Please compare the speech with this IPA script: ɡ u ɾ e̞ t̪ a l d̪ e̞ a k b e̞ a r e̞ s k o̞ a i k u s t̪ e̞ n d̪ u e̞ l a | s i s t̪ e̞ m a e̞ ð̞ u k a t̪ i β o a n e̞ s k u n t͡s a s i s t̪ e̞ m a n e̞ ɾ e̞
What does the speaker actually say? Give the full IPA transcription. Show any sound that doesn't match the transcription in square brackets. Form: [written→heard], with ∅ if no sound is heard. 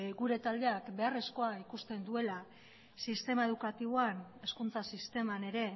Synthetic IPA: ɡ u ɾ e̞ t̪ a l d̪ e̞ a k b e̞ a r e̞ s k o̞ a i k u s t̪ e̞ n d̪ u e̞ l a | s i s t̪ e̞ m a e̞ ð̞ u k a t̪ i β o a n e̞ s k u n t͡s a s i s t̪ e̞ m a n e̞ ɾ e̞

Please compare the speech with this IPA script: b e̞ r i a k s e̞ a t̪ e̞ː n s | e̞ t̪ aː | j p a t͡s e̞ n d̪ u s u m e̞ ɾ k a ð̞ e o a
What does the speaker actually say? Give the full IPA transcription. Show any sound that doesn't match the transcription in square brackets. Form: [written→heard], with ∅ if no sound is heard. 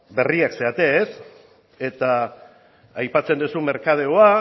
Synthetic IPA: b e̞ r i a k s e̞ a t̪ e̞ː [n→∅] s | e̞ t̪ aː | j p a t͡s e̞ n d̪ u s u m e̞ ɾ k a ð̞ e o a

